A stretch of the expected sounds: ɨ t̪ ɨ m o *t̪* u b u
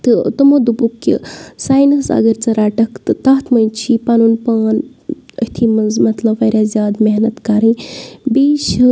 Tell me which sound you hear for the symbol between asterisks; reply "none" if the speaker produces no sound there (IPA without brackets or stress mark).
d̪